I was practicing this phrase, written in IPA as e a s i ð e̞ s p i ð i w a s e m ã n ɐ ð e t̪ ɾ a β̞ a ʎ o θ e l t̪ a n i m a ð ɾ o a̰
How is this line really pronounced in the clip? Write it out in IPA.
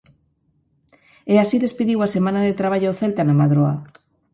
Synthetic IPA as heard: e a s i ð e̞ s p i ð i w a s e m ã n a ð e t̪ ɾ a β̞ a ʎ o θ e l t̪ a n a m a ð ɾ o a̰